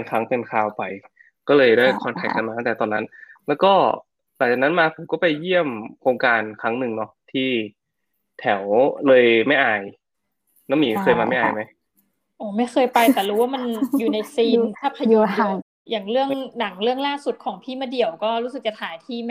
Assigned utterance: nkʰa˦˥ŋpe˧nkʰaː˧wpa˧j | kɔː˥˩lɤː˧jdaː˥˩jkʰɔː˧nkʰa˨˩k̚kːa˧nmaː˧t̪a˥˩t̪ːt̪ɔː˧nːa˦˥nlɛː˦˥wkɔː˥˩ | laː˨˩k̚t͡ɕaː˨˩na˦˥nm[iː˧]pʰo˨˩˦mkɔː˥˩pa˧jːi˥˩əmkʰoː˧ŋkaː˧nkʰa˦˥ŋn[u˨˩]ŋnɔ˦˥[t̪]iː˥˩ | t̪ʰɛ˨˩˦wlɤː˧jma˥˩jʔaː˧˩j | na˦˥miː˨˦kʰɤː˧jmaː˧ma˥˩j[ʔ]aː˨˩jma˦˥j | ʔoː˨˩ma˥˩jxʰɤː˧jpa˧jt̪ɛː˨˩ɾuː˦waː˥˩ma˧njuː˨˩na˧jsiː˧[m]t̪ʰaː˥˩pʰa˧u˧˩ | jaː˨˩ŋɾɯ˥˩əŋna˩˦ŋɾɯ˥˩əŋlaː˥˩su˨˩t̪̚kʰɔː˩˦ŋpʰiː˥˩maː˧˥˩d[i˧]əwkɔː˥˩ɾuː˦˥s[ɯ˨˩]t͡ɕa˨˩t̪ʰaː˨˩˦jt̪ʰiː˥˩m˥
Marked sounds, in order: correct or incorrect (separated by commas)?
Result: incorrect, incorrect, incorrect, correct, incorrect, incorrect, correct